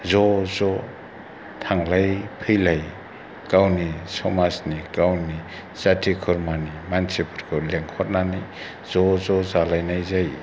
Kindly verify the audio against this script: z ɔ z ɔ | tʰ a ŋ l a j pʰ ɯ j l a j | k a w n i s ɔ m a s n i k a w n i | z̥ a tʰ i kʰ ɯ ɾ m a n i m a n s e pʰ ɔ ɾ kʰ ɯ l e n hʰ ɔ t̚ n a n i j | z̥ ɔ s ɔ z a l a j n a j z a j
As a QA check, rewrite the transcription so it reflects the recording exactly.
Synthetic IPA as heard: z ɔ z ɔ | tʰ a ŋ l a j pʰ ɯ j l a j | k a w n i s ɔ m a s n i k a w n i | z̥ a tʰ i kʰ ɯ ɾ m a n i m a n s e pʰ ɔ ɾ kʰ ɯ l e ŋ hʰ ɔ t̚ n a n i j | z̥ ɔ z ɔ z a l a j n a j z a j